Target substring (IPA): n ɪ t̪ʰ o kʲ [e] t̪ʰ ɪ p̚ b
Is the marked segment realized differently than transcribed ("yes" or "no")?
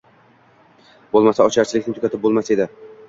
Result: yes